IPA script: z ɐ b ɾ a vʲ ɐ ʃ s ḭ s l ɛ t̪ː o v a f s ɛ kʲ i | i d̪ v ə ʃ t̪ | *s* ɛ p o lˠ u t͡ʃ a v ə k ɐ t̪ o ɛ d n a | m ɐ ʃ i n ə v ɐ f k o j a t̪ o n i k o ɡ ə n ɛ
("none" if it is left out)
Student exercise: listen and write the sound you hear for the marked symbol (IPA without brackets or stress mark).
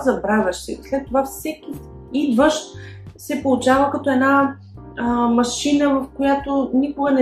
s